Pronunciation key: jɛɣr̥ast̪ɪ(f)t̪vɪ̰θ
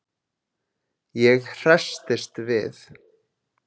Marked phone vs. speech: incorrect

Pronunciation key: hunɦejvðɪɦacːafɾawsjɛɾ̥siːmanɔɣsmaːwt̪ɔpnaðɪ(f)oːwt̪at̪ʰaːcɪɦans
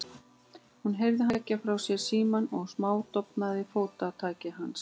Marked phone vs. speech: correct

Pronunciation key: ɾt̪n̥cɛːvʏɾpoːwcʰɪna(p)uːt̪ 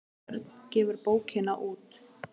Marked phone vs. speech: incorrect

